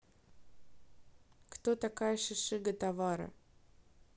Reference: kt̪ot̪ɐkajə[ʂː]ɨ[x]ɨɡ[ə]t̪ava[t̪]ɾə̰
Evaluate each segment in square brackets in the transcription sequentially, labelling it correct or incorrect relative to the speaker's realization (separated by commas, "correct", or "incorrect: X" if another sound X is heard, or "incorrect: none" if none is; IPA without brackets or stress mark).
incorrect: ʂ, incorrect: ʂ, correct, incorrect: none